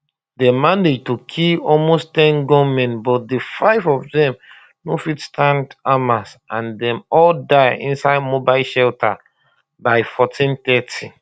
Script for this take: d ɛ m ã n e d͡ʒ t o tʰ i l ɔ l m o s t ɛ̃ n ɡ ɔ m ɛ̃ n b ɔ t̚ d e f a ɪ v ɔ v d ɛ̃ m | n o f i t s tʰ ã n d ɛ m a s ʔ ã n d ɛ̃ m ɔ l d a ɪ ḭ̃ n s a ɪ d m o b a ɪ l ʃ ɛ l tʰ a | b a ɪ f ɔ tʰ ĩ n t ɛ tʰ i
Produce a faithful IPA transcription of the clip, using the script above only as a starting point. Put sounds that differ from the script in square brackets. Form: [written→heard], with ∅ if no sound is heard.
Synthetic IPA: d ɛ m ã n e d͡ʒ t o [tʰ→kʰ] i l ɔ l m o s t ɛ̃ n ɡ ɔ m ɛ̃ n b ɔ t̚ d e f a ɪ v ɔ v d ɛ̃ m | n o f i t s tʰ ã n d [ɛ→a] m a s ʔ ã n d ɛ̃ m ɔ l d a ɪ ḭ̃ n s a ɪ d m o b a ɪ l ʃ ɛ l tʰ a | b a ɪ f ɔ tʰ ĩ n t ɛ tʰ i

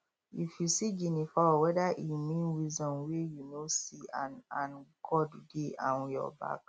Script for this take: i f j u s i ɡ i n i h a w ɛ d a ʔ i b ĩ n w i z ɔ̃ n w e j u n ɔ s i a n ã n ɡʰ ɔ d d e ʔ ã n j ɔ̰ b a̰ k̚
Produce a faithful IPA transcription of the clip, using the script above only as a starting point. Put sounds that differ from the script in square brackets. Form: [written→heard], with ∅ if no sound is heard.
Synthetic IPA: i f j u s i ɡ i n i [h→f] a w ɛ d a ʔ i [b→m] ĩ n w i z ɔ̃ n w e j u n [ɔ→o] s i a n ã n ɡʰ ɔ d d e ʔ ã n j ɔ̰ b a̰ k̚

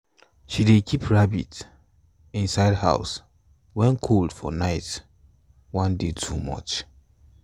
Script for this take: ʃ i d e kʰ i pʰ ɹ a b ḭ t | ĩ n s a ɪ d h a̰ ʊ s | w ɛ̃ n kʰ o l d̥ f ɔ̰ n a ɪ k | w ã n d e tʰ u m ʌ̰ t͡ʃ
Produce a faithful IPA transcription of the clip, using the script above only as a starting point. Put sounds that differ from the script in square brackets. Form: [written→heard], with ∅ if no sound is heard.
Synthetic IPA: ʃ i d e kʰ i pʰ ɹ a b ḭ t | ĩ n s a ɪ d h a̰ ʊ s | w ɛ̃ n kʰ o l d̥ f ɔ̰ n a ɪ [k→t] | w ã n d e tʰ u m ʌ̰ t͡ʃ

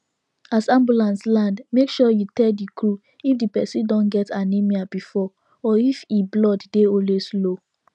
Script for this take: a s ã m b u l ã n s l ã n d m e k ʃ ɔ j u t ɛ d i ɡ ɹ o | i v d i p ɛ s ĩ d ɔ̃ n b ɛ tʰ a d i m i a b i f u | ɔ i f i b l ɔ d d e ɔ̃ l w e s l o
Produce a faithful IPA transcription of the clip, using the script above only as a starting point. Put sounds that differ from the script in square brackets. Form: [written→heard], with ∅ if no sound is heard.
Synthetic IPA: a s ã m b u l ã n s l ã n d m e k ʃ ɔ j u t ɛ d i [ɡ→k] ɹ [o→u] | i [v→f] d i p ɛ s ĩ d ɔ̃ n [b→ɡ] ɛ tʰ a [d→n] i m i a b i f [u→ɔ] | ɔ i f i b l ɔ d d e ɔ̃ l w e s l o

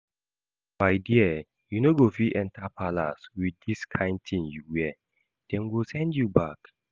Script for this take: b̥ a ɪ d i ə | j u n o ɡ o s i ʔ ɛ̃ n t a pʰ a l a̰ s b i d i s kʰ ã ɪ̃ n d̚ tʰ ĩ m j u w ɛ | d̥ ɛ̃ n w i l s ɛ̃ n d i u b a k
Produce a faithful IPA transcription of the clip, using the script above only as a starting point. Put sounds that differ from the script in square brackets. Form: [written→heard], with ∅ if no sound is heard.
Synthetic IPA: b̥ a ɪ d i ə | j u n o ɡ o [s→f] i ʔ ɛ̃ n t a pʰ a l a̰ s [b→w] i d i s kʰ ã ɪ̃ n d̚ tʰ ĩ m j u w ɛ | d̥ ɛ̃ n w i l s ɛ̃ n d [i→j] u b a k

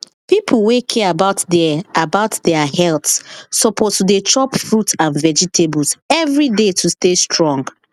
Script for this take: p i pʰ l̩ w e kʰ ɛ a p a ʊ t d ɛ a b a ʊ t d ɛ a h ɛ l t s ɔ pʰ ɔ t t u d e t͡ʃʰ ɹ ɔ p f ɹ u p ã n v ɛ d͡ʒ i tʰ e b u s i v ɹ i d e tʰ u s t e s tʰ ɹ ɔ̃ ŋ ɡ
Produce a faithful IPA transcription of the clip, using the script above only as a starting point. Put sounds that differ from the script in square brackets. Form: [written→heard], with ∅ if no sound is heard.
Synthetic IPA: p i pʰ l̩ w e kʰ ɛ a [p→b] a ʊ t d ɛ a b a ʊ t d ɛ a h ɛ l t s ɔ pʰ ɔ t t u d e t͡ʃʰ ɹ ɔ p f ɹ u [p→t] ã n v ɛ d͡ʒ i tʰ e b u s [i→ɛ] v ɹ i d e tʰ u s t e s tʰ ɹ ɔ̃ ŋ ɡ

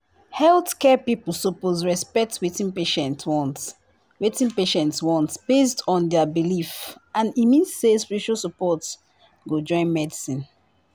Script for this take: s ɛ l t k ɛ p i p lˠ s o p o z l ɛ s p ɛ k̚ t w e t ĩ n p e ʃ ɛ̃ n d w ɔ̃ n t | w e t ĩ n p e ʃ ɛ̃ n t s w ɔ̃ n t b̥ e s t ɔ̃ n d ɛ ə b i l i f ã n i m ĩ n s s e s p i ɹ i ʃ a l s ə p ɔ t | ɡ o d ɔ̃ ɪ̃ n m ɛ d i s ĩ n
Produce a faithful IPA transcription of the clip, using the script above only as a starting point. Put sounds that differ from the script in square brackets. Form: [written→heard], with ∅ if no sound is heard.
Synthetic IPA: [s→h] ɛ l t k ɛ p i p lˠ s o p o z [l→ɹ] ɛ s p ɛ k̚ t w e t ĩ n p e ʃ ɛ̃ n [d→t] w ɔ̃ n t | w e t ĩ n p e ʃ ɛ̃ n t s w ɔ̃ n t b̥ e s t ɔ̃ n d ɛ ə b i l i f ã n i m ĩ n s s e s p i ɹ i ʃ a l s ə p ɔ t | ɡ o [d→d͡ʒ] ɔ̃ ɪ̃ n m ɛ d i s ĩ n

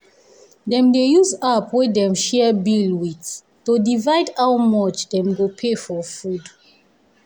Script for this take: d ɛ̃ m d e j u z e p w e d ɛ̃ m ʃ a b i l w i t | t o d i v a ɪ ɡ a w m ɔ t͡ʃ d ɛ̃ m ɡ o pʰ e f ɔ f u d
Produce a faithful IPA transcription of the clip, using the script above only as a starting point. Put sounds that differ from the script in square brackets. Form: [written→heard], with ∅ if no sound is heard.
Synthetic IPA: d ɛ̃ m d e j u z [e→a] p w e d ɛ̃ m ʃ [a→ɛ] b i l w i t | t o d i v a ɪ [ɡ→d] a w m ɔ t͡ʃ d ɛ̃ m ɡ o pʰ e f ɔ f u d

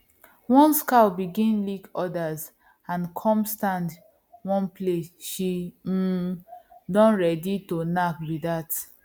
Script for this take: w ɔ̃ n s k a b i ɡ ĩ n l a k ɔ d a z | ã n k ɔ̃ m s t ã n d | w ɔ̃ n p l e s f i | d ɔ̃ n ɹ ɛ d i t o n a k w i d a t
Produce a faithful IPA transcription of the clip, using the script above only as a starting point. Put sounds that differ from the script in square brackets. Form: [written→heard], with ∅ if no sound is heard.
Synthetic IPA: w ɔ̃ n s k a b i ɡ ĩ n l [a→i] k ɔ d a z | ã n [k→kʰ] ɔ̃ m s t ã n d | w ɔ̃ n p l e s [f→ʃ] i | d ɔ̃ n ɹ ɛ d i t o n a k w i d a t

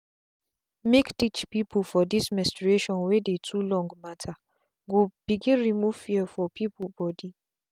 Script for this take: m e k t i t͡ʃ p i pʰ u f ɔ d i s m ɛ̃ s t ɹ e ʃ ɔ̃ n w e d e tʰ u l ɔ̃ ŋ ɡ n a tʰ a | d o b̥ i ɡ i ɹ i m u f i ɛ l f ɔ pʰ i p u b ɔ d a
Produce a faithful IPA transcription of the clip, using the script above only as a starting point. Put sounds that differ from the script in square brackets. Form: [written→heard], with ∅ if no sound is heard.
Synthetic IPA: m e k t i t͡ʃ p i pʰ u f ɔ d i s m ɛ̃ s t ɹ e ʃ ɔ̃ n w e d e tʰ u l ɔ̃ ŋ ɡ [n→m] a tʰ a | [d→ɡ] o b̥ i ɡ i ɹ i m u f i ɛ [l→∅] f ɔ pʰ i p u b ɔ d [a→i]

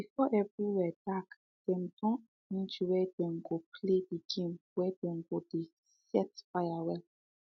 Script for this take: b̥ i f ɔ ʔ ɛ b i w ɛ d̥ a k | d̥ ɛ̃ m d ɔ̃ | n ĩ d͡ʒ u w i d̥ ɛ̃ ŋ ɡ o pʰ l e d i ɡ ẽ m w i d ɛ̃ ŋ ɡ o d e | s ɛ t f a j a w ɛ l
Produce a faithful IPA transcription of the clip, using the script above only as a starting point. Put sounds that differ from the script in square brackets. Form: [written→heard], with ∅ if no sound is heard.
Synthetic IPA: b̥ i f ɔ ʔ ɛ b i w ɛ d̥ a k | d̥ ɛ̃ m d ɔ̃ | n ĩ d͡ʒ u w [i→ɛ] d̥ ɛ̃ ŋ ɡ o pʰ l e d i ɡ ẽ m w [i→ɛ] d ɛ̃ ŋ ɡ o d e | s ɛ t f a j a w ɛ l

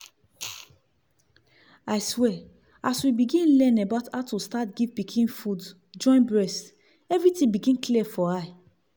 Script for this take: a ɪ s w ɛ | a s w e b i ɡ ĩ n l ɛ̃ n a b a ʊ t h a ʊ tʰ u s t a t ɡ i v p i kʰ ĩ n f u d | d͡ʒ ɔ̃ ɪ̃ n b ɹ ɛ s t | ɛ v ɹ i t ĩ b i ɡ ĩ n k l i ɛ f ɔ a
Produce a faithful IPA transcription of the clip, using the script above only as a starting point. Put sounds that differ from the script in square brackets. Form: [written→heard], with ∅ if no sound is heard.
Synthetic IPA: a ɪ s w ɛ | a s w [e→i] b i ɡ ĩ n l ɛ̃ n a b a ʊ t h a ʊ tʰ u s t a t ɡ i v p i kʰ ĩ n f u d | d͡ʒ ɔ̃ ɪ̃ n b ɹ ɛ s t | ɛ v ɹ i t ĩ b i ɡ ĩ n k l i ɛ f ɔ a

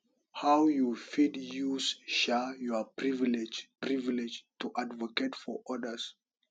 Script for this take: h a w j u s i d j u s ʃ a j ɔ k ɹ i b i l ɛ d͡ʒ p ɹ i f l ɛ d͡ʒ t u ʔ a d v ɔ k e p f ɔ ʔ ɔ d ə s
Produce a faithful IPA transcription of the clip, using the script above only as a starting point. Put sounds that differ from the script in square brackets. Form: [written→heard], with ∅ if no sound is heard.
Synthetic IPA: h a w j u [s→f] i d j u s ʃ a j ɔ [k→p] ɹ i [b→v] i l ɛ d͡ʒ p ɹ i [f→v] l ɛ d͡ʒ t u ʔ a d v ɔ k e [p→t] f ɔ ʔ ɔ d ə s

